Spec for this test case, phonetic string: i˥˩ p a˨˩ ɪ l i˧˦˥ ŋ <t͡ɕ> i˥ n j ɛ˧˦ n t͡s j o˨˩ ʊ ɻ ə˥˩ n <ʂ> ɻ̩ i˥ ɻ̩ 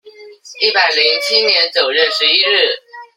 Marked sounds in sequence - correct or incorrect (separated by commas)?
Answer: incorrect, correct